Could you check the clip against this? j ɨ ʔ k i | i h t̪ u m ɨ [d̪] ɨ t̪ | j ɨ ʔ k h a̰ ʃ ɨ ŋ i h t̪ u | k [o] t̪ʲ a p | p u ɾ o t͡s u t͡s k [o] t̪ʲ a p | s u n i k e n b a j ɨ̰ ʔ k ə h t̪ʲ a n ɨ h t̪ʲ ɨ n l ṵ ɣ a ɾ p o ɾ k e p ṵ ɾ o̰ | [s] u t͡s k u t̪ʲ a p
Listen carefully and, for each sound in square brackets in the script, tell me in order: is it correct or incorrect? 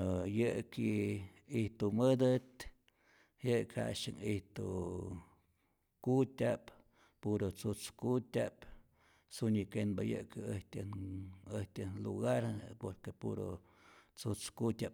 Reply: correct, incorrect, incorrect, incorrect

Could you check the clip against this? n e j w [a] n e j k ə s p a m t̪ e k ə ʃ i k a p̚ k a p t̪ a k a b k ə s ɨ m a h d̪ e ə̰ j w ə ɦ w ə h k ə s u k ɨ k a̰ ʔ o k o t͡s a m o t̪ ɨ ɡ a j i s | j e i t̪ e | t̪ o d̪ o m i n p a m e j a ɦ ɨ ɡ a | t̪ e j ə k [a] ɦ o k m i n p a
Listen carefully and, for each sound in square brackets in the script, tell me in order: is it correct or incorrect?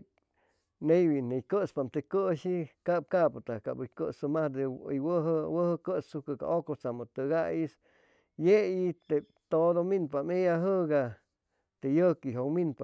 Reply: incorrect, incorrect

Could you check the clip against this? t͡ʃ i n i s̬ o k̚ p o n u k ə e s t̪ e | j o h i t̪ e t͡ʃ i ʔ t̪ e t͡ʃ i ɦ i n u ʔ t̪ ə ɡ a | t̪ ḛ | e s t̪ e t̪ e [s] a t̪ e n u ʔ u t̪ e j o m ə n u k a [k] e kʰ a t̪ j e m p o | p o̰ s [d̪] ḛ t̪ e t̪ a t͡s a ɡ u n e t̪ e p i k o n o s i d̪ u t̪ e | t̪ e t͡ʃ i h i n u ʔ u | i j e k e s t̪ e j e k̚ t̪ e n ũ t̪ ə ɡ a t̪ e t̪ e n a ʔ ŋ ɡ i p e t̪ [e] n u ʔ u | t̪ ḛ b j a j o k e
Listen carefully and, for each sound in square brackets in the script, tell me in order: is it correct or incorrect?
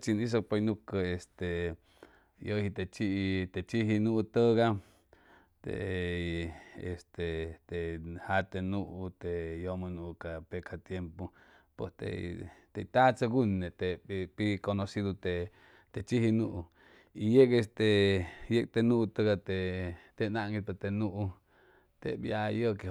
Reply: incorrect, incorrect, incorrect, correct

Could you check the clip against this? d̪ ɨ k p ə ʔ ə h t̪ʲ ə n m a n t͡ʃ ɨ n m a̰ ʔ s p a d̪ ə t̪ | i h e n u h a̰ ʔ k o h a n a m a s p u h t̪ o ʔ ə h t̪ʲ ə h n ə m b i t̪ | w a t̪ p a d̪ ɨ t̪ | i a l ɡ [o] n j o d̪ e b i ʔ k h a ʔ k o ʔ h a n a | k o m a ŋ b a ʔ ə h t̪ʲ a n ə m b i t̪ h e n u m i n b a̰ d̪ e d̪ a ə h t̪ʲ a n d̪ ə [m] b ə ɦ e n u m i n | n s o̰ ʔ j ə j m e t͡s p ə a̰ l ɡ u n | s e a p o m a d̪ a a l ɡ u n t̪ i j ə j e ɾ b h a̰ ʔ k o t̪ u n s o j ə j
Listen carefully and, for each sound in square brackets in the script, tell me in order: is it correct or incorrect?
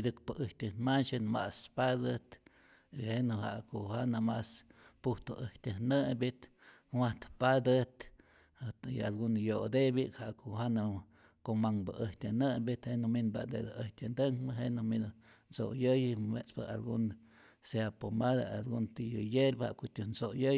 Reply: incorrect, incorrect

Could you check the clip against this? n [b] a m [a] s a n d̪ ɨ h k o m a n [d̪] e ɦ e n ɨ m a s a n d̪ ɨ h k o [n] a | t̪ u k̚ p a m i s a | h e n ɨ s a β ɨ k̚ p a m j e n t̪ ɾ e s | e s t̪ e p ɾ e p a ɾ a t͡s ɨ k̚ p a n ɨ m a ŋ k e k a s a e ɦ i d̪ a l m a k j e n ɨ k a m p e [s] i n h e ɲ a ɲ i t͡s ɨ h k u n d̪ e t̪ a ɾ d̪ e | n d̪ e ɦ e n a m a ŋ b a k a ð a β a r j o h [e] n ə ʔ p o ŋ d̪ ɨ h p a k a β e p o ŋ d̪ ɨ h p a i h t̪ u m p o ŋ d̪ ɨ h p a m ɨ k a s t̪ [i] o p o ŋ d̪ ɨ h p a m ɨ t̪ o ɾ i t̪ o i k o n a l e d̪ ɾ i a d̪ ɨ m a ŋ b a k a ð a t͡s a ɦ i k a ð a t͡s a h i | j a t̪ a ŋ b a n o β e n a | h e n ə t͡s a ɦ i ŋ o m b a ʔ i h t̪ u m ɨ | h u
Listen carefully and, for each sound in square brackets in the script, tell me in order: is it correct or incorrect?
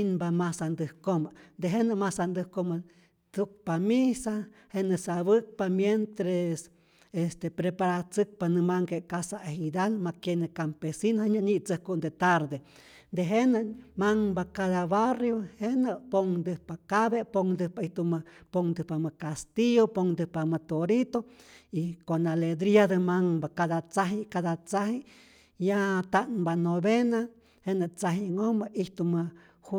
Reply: correct, correct, correct, incorrect, correct, correct, correct

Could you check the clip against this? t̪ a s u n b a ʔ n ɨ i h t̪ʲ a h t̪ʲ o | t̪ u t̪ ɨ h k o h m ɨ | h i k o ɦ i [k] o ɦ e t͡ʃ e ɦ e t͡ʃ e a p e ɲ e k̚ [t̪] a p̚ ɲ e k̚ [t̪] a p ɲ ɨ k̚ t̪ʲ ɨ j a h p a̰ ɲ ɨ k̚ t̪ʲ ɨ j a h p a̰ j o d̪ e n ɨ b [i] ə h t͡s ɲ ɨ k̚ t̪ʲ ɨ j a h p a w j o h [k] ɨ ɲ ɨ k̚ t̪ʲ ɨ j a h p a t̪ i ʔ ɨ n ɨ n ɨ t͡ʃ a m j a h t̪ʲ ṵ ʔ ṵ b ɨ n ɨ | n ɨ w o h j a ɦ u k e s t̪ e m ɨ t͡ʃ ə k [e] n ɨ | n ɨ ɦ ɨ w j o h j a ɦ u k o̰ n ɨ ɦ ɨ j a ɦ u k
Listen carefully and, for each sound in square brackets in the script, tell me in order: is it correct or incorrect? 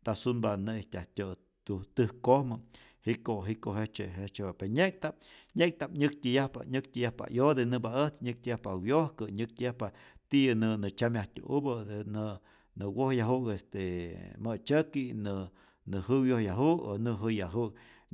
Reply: correct, correct, correct, incorrect, correct, incorrect

